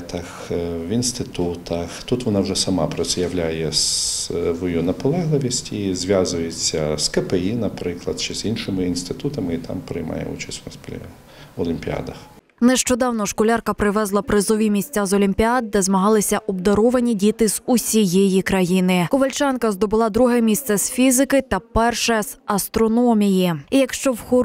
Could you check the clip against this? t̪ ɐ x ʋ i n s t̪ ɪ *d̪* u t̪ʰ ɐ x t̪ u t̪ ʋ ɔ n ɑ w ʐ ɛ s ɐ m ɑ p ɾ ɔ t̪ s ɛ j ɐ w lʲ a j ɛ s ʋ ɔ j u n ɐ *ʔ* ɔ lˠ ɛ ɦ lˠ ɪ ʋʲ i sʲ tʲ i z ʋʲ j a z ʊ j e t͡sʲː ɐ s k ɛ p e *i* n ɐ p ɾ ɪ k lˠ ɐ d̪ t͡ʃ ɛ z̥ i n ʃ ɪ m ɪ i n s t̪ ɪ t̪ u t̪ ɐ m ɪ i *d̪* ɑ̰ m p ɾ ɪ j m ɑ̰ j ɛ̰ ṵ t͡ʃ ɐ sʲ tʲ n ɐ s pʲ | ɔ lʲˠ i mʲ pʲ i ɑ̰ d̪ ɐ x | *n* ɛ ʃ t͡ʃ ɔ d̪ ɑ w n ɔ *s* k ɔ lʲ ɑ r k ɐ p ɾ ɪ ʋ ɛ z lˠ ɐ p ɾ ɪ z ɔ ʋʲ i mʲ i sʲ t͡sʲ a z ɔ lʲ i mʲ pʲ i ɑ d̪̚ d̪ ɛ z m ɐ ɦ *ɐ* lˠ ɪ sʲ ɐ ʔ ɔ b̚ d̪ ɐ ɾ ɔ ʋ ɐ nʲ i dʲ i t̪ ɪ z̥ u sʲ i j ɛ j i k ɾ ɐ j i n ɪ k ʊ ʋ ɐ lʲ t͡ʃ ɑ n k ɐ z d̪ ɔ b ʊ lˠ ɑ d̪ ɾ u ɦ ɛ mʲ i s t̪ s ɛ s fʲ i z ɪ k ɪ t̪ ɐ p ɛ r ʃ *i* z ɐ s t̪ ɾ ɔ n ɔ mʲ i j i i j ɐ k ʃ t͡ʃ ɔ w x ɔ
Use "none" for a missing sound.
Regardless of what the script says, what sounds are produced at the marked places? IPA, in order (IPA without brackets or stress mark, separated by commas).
t̪, p, i, t̪, n, ʃ, ɑ, ɛ